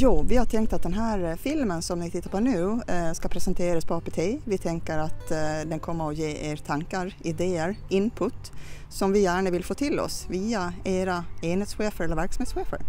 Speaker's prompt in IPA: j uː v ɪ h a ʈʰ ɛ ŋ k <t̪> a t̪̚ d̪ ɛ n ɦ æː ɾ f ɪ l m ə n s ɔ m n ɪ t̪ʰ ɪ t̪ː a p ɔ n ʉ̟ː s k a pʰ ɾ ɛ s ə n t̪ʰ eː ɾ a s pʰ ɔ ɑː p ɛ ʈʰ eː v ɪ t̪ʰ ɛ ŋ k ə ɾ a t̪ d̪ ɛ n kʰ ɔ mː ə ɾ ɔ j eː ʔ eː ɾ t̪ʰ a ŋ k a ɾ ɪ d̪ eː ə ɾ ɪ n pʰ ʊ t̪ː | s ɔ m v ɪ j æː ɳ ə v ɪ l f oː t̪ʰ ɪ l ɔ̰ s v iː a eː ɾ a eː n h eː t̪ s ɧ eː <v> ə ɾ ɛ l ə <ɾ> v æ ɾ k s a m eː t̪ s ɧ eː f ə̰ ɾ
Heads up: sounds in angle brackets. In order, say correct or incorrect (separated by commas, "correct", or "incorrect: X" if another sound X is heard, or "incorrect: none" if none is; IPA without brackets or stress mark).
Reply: correct, incorrect: f, correct